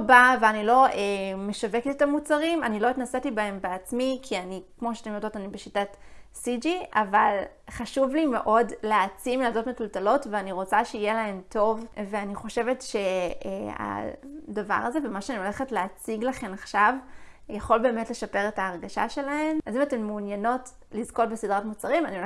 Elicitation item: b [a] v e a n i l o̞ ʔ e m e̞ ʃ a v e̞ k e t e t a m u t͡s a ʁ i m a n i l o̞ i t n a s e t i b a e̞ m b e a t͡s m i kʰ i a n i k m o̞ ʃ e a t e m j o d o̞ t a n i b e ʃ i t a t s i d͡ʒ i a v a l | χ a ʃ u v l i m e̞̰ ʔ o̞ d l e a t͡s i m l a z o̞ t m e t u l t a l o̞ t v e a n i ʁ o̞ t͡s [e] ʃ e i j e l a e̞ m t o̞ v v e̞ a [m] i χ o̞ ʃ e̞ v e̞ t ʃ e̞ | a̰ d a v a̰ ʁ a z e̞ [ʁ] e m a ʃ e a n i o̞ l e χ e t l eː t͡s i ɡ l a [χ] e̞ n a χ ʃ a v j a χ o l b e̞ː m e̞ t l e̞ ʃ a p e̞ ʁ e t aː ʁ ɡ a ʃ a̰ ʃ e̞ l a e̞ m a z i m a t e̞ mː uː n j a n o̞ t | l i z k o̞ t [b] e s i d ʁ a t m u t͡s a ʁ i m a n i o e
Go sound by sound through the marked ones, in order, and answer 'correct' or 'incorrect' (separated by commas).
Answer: correct, incorrect, incorrect, incorrect, correct, correct